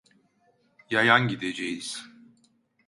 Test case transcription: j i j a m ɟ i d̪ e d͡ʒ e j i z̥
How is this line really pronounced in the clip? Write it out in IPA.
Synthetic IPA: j a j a n ɟ i d̪ e d͡ʒ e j i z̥